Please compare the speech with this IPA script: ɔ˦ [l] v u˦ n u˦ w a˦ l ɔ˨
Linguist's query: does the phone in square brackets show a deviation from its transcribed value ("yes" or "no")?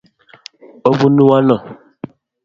yes